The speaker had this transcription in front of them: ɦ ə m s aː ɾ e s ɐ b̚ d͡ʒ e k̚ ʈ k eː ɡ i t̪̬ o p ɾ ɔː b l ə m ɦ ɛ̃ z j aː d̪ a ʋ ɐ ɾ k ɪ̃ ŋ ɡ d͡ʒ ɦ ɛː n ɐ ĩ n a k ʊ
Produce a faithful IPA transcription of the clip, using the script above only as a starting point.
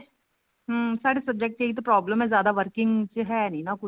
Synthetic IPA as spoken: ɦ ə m s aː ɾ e s ɐ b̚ d͡ʒ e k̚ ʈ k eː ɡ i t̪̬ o p ɾ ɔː b l ə m ɦ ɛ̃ z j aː d̪ a ʋ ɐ ɾ k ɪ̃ ŋ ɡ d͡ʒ ɦ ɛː n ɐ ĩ n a k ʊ